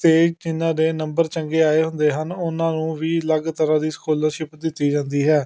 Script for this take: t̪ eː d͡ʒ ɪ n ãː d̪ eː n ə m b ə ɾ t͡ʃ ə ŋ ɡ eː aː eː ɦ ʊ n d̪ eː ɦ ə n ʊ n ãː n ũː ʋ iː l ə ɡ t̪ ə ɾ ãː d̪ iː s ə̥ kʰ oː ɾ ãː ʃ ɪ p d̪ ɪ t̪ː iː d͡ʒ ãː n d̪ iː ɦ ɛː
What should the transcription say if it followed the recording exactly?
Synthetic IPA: t̪ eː d͡ʒ ɪ n ãː d̪ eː n ə m b ə ɾ t͡ʃ ə ŋ ɡ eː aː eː ɦ ʊ n d̪ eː ɦ ə n ʊ n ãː n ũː ʋ iː l ə ɡ t̪ ə ɾ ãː d̪ iː s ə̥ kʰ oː l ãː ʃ ɪ p d̪ ɪ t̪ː iː d͡ʒ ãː n d̪ iː ɦ ɛː